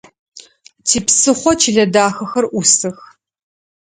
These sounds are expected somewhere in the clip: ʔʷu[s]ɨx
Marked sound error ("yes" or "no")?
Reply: no